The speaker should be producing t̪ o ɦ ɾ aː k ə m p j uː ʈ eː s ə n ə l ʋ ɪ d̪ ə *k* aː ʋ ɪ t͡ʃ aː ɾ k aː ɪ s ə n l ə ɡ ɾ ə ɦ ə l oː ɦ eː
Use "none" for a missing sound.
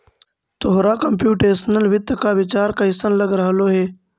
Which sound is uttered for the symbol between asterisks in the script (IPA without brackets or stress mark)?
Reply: k